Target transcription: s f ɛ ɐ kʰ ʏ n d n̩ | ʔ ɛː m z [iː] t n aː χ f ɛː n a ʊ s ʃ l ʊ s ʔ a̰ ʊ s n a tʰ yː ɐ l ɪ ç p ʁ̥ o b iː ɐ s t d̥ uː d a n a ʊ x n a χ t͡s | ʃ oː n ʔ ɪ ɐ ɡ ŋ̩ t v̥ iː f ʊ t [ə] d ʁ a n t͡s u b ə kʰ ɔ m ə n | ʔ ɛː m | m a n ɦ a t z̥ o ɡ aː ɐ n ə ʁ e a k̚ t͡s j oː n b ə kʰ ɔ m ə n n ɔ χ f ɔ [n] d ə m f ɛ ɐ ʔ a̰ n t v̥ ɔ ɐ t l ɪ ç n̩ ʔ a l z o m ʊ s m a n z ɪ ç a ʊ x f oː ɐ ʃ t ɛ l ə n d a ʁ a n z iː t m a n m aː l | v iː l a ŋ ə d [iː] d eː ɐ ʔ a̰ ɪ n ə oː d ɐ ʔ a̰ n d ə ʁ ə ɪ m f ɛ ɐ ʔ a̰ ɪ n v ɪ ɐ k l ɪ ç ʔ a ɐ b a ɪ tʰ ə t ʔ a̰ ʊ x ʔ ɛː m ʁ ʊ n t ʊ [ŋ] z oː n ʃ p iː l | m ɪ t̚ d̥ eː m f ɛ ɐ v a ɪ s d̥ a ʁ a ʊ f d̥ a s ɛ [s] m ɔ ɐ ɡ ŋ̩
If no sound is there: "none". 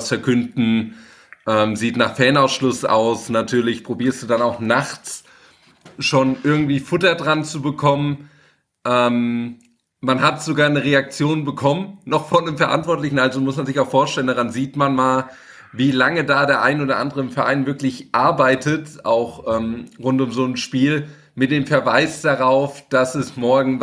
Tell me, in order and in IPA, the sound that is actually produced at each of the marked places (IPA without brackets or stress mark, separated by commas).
iː, ɐ, n, aː, m, s